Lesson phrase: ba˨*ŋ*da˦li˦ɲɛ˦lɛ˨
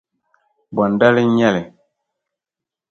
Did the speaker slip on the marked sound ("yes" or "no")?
yes